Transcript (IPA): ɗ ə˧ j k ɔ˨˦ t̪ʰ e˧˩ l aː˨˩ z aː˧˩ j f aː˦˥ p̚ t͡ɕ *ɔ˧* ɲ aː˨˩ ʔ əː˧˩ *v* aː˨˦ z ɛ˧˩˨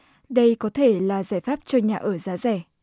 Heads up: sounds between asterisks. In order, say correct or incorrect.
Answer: correct, incorrect: z

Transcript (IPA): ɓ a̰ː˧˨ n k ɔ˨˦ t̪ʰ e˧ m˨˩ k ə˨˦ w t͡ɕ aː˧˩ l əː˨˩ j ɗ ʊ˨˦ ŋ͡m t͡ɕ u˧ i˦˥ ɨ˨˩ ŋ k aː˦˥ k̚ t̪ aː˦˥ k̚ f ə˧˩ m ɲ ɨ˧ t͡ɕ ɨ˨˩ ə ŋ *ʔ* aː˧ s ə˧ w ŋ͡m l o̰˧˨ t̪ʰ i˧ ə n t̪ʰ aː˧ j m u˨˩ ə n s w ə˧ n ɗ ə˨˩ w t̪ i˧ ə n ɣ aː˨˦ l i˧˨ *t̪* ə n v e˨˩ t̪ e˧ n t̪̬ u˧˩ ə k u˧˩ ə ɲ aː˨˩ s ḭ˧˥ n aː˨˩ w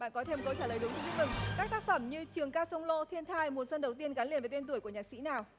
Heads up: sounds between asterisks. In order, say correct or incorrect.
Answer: incorrect: k, incorrect: none

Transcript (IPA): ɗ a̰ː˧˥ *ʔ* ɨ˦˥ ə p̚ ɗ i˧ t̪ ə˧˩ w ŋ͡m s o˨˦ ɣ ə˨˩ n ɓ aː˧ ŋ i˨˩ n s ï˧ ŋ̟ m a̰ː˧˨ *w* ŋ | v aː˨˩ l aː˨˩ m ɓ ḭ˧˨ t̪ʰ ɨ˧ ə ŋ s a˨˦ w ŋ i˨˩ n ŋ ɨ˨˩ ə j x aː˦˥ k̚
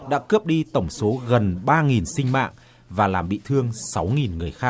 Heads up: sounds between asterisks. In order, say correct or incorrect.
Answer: incorrect: k, incorrect: none

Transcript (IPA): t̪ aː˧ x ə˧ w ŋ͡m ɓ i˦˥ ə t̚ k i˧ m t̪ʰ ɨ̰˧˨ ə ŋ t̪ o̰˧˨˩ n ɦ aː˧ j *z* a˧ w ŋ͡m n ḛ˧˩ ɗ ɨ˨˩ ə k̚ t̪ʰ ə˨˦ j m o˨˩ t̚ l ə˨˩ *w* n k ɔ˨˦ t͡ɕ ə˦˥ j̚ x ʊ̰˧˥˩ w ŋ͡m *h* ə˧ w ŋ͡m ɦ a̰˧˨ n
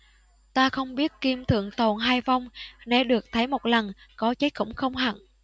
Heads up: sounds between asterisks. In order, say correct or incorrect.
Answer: incorrect: v, incorrect: none, incorrect: x

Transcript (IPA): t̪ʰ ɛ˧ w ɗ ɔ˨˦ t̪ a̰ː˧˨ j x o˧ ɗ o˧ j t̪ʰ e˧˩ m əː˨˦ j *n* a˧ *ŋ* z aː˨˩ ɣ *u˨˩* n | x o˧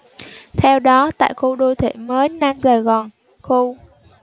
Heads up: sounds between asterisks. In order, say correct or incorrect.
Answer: correct, incorrect: m, incorrect: ɔ˨˩

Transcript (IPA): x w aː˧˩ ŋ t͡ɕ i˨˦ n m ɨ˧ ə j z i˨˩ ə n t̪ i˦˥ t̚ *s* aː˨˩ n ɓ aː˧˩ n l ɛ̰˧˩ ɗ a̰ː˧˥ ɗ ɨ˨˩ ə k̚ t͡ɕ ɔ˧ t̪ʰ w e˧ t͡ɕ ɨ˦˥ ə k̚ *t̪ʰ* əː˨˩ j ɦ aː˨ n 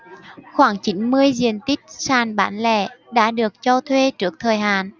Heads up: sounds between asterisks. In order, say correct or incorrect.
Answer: correct, correct

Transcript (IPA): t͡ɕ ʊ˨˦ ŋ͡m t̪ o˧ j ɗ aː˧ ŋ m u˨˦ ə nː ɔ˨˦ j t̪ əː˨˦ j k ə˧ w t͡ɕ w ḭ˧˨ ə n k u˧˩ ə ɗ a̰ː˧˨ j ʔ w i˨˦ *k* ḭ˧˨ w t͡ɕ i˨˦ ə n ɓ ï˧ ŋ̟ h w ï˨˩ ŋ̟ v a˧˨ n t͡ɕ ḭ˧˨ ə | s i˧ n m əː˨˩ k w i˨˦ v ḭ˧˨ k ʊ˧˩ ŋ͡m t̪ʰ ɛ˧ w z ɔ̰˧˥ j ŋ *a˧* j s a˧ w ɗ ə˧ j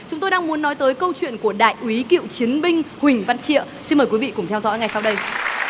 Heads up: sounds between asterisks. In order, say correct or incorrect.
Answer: correct, incorrect: a˨˩

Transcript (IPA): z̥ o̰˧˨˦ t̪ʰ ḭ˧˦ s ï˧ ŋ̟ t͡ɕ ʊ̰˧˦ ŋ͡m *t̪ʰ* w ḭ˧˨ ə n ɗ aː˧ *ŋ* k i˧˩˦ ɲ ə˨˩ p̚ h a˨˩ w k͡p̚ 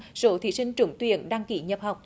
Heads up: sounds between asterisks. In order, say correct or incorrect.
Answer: incorrect: t̪, correct

